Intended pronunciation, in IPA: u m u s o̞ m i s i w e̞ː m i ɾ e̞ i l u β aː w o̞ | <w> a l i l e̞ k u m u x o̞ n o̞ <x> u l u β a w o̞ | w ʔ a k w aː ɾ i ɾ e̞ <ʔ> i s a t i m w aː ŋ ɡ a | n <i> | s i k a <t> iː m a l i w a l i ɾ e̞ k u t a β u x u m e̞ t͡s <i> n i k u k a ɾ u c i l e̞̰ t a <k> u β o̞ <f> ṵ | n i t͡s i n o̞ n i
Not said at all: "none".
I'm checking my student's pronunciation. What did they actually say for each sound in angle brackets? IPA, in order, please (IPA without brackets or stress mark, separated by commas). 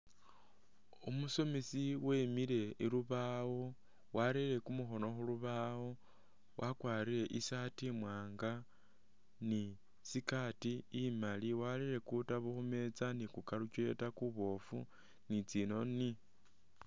w, x, ʔ, i, t, a, k, f